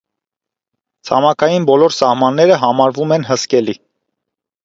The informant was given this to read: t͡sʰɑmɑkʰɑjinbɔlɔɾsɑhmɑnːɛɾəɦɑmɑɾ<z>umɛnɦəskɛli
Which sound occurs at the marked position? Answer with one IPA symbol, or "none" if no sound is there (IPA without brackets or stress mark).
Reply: v